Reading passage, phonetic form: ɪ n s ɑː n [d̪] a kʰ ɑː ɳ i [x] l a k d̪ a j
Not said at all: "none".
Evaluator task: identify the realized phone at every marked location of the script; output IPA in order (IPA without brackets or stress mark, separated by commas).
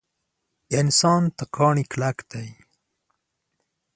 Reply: t̪, k